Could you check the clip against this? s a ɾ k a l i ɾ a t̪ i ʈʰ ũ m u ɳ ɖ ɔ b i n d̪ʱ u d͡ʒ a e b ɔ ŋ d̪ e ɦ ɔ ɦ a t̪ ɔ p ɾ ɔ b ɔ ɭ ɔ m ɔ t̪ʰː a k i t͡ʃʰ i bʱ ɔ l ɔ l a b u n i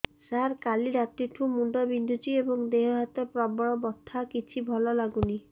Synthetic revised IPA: s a ɾ k a l i ɾ a t̪ i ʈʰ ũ m u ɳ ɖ ɔ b i n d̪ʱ u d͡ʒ i e b ɔ ŋ d̪ e ɦ ɔ ɦ a t̪ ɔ p ɾ ɔ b ɔ ɭ ɔ b ɔ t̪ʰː a k i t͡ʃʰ i bʱ ɔ l ɔ l a ɡ u n i